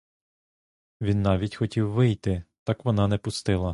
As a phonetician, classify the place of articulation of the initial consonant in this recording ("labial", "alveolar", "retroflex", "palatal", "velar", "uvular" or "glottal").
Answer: labial